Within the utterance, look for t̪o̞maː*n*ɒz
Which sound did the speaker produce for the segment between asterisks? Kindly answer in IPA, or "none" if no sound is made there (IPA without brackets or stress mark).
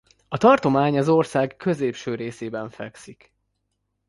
ɲ